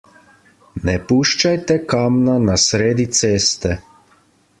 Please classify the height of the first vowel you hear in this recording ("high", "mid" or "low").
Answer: mid